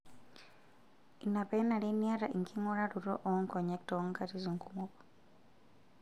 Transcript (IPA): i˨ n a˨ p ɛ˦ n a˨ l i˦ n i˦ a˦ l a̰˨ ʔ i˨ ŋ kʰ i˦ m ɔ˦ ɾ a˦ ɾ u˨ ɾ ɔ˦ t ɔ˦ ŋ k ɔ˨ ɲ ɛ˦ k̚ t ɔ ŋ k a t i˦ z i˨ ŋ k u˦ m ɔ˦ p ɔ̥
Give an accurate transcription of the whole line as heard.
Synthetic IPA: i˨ n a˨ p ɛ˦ n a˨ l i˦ n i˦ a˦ ɾ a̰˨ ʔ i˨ ŋ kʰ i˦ ŋ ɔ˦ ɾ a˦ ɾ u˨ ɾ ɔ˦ ʔ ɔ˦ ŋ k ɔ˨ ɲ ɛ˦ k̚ t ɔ ŋ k a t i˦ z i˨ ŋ k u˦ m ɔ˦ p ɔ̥